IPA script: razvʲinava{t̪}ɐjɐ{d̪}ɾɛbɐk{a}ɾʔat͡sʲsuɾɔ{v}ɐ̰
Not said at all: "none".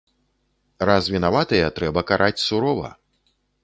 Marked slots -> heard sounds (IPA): t̪, t̪, a, v

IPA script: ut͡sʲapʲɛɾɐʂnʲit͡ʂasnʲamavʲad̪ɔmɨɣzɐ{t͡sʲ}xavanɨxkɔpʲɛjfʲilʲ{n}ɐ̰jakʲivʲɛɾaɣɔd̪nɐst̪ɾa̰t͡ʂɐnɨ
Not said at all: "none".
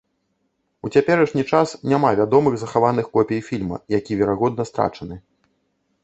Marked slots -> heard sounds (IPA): none, m

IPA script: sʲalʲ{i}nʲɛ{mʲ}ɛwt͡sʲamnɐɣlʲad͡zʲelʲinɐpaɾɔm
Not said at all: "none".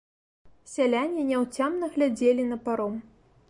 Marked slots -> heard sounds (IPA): a, nʲ

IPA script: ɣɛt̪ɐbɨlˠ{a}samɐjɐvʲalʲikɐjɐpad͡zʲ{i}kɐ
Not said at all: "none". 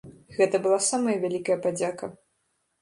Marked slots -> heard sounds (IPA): a, a

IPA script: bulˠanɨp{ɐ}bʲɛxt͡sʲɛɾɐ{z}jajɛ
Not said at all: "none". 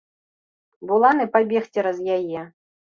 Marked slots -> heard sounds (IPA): a, z

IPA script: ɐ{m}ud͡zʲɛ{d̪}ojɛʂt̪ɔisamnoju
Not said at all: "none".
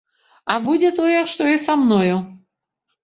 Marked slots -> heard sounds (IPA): b, t̪

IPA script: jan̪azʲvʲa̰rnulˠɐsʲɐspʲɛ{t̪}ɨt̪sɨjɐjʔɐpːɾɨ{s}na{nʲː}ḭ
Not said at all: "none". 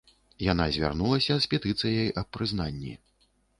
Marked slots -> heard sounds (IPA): t̪, z, nʲː

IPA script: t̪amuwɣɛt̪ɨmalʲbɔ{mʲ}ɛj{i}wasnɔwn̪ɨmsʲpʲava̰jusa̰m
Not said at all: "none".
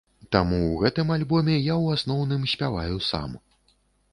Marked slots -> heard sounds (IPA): mʲ, a

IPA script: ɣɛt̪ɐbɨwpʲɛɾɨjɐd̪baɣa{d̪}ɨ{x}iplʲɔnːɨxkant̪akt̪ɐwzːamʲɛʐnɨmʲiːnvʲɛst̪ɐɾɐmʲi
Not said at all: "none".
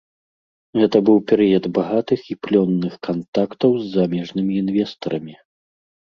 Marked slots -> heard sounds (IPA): t̪, x

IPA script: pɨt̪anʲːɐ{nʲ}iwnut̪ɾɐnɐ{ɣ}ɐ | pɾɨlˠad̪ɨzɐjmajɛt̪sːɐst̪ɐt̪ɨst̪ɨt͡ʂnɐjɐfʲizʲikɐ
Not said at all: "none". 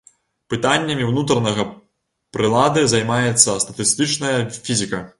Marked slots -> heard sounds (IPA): mʲ, ɣ

